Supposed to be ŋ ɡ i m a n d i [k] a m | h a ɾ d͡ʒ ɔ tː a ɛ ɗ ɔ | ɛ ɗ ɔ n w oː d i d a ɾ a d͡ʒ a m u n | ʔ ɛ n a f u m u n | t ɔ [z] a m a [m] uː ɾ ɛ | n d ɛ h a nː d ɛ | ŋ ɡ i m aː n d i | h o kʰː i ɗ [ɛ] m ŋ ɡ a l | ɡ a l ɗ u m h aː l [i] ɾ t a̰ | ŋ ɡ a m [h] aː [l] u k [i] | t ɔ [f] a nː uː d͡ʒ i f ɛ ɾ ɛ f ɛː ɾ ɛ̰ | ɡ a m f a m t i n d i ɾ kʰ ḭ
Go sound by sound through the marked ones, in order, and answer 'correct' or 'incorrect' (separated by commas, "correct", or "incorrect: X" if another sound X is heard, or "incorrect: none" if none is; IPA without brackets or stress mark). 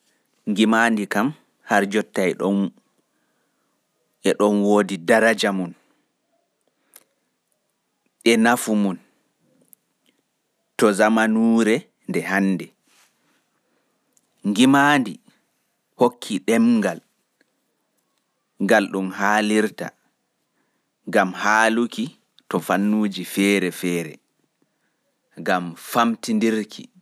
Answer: correct, correct, incorrect: n, correct, correct, correct, correct, correct, correct